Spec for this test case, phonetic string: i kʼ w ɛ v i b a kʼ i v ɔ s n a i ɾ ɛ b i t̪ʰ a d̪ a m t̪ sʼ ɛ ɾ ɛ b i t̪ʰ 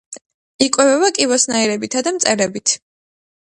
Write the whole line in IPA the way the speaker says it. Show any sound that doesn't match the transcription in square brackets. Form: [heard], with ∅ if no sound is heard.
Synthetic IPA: i kʼ w ɛ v [ɛ] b a kʼ i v ɔ s n a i ɾ ɛ b i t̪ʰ a d̪ a m t̪ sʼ ɛ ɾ ɛ b i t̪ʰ